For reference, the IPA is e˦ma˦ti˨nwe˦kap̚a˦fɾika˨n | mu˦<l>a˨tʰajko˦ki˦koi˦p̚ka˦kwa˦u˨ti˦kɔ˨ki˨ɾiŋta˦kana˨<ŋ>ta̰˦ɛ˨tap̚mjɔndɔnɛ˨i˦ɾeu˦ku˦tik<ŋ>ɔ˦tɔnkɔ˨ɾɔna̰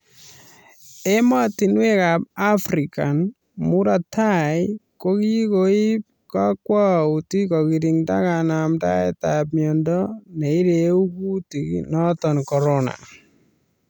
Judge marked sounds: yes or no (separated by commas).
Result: no, no, no